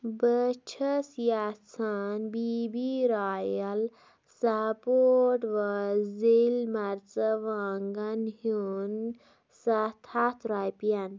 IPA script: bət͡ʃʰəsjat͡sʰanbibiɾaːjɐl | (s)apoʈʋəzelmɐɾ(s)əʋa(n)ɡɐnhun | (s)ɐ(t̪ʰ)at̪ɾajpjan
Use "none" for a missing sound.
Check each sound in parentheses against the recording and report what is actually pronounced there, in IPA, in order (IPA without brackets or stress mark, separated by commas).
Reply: s, t͡s, ŋ, s, t̪ʰ